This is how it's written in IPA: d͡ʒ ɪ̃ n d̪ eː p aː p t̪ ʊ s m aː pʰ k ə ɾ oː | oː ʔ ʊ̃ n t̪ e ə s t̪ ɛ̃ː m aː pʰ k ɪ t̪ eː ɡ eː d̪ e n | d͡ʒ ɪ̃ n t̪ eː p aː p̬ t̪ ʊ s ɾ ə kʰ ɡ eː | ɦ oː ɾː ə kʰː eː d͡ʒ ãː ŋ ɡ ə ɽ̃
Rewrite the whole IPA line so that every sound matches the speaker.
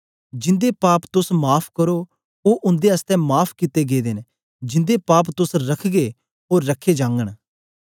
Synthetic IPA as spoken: d͡ʒ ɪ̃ n d̪ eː p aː p t̪ ʊ s m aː pʰ k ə ɾ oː | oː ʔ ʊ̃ n d̪ e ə s t̪ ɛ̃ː m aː pʰ k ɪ t̪ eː ɡ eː d̪ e n | d͡ʒ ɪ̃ n d̪ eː p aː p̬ t̪ ʊ s ɾ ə kʰ ɡ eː | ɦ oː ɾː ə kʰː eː d͡ʒ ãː ŋ ɡ ə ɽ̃